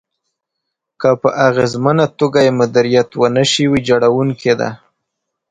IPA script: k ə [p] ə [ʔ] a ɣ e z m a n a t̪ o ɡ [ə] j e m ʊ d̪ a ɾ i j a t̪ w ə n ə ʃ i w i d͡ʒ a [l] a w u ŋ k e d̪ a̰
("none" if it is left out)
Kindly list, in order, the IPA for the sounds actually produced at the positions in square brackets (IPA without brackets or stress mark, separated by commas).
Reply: p, ʔ, a, ɽ